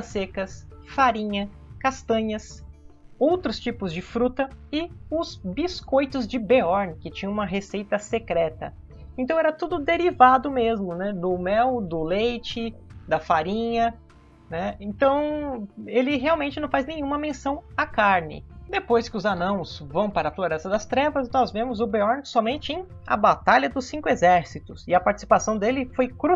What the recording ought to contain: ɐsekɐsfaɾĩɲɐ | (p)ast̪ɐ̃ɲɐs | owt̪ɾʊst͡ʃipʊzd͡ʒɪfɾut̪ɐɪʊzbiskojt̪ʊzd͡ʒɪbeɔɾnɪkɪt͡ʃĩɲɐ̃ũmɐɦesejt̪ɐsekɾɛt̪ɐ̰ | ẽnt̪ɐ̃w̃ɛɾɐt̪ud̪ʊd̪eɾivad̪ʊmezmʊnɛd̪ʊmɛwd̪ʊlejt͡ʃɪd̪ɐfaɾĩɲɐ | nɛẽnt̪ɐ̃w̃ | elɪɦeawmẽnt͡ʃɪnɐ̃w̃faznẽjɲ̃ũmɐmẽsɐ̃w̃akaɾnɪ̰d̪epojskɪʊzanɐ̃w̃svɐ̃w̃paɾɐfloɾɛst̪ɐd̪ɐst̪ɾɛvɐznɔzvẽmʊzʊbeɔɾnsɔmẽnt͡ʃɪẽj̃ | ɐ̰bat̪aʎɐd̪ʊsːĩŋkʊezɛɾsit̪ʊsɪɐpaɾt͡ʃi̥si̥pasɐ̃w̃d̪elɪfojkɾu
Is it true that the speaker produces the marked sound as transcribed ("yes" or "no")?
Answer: no